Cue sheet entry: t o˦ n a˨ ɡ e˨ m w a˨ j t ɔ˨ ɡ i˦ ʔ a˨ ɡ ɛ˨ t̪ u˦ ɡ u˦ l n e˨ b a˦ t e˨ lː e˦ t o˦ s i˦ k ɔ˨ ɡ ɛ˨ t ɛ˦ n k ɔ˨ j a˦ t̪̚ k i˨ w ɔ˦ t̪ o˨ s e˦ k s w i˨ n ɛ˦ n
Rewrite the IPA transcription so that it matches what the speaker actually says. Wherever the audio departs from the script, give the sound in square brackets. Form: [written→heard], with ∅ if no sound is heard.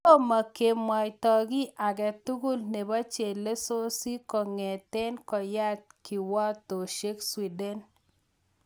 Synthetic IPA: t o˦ [n→m] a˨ [ɡ→k] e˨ m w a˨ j t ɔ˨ ɡ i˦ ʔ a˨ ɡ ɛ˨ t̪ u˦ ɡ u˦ l n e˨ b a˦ [t→t͡ʃ] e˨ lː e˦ [t→s] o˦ s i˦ k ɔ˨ [ɡ→ŋ] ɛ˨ t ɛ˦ n k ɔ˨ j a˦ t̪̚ k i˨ w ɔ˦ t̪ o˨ [s→ʃ] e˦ k s w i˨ [n→d] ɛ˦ n